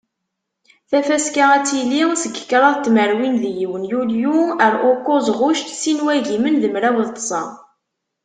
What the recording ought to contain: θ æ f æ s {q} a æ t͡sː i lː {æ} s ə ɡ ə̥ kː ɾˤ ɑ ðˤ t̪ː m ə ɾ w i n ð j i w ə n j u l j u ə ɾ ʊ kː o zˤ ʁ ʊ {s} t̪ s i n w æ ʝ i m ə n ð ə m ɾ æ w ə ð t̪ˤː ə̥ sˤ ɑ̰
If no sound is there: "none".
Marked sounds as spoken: k, i, ʃ

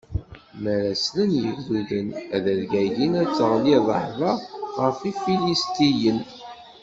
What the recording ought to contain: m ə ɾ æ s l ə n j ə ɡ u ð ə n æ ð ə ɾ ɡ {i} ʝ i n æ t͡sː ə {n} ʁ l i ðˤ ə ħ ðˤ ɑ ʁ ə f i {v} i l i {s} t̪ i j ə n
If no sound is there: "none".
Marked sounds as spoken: æ, none, f, s

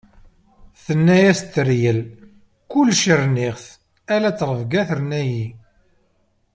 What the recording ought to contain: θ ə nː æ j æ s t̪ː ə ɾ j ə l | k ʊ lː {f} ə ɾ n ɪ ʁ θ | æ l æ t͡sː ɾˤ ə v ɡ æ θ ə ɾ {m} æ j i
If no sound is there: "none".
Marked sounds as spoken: ʃ, n

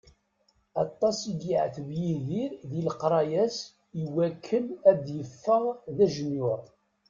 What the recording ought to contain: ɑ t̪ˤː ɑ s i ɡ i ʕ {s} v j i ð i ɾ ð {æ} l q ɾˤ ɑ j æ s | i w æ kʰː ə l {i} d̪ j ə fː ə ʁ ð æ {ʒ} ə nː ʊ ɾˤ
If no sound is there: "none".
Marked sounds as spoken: θ, i, æ, ʒ

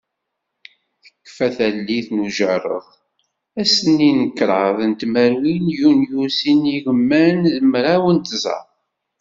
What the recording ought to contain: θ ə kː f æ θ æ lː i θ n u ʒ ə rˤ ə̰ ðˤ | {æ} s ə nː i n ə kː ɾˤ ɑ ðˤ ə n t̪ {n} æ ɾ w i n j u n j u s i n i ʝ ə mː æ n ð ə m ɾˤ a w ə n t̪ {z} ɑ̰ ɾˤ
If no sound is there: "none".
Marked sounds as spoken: æ, m, z

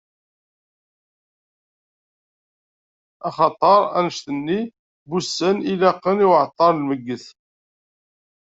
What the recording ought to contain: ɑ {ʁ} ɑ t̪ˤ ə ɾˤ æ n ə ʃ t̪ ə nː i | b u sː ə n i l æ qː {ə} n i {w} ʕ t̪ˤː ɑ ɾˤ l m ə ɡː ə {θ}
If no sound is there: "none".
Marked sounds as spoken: χ, ə, w, θ

